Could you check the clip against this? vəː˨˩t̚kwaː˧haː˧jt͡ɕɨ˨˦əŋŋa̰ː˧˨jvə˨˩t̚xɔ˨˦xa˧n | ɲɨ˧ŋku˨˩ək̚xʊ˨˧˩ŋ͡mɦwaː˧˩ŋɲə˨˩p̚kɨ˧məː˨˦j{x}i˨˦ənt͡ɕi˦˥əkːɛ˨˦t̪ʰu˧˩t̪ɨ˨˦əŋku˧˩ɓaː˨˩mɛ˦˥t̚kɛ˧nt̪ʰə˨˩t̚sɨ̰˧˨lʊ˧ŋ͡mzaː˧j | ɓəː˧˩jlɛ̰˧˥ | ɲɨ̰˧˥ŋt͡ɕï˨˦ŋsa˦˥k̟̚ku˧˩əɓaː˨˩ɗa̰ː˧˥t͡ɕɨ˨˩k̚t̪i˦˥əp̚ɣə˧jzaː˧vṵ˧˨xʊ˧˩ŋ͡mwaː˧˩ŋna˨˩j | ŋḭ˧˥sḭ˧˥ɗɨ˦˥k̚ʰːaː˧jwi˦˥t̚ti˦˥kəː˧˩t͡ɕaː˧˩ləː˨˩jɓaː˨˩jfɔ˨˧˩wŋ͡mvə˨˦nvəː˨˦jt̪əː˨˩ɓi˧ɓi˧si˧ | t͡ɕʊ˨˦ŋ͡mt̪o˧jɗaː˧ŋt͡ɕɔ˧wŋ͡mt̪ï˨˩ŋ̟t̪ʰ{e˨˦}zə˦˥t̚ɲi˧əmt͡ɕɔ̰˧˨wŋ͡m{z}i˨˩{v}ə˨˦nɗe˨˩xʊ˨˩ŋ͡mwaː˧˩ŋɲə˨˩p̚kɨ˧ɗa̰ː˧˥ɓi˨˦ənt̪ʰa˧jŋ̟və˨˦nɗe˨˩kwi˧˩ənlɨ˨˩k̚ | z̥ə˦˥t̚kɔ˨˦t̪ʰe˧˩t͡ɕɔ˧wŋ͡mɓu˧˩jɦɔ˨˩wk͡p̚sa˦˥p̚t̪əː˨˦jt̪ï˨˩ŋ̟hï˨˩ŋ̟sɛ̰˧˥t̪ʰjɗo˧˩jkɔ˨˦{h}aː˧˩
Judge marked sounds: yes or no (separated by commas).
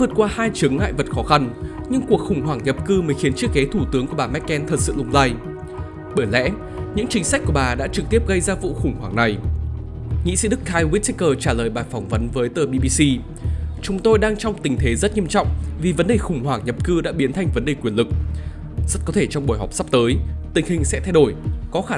yes, yes, no, yes, no